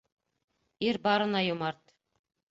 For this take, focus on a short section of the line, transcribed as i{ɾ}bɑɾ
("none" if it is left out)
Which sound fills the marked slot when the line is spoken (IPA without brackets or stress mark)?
ɾ